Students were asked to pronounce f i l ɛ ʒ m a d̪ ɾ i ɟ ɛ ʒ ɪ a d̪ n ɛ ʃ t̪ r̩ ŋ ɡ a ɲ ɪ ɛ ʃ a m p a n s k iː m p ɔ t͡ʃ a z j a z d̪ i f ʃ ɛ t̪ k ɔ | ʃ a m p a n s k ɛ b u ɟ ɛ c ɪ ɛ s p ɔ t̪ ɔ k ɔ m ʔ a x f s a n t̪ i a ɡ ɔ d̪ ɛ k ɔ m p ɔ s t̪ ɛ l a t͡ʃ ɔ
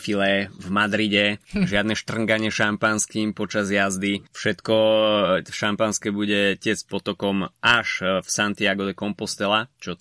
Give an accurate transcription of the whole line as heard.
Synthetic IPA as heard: f i l ɛ v m a d̪ ɾ i ɟ ɛ ʒ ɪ a d̪ n ɛ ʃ t̪ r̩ ŋ ɡ a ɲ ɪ ɛ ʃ a m p a n s k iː m p ɔ t͡ʃ a z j a z d̪ i f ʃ ɛ t̪ k ɔ | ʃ a m p a n s k ɛ b u ɟ ɛ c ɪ ɛ s p ɔ t̪ ɔ k ɔ m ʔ a ʃ f s a n t̪ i a ɡ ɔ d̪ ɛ k ɔ m p ɔ s t̪ ɛ l a t͡ʃ ɔ